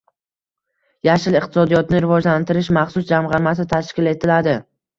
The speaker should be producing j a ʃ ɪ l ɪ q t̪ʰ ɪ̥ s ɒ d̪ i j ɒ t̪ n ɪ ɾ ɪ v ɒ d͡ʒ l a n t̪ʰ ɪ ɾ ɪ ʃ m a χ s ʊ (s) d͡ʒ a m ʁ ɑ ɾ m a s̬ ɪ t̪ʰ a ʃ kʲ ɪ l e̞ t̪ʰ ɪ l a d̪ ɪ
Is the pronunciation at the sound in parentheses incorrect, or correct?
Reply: correct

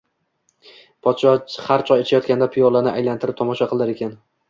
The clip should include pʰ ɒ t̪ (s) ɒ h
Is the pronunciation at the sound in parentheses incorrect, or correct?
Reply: incorrect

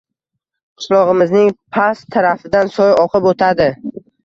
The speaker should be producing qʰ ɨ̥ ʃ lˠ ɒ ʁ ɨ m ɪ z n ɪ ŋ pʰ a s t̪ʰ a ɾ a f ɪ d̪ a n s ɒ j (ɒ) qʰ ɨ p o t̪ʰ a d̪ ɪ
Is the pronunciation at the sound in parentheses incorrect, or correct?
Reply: correct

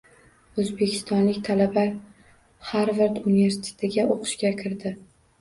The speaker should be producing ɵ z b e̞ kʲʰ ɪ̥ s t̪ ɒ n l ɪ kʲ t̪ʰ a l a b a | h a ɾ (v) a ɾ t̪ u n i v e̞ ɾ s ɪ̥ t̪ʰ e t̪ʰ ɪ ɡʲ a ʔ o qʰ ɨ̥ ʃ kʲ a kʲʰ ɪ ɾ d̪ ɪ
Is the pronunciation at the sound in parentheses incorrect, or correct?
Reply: correct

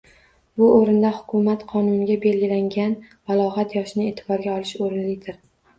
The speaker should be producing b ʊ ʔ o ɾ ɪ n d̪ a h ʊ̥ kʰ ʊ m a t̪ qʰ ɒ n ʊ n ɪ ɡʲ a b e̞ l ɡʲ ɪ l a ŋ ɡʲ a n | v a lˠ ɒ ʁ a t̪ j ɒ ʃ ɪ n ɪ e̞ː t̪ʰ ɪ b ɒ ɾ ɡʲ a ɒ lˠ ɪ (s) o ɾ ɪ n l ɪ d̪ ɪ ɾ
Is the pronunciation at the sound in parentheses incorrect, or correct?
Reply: incorrect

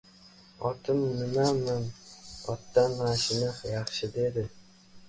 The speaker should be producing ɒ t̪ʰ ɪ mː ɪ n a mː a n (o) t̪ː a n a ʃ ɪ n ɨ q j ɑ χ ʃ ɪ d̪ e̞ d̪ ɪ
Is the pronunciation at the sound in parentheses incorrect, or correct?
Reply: incorrect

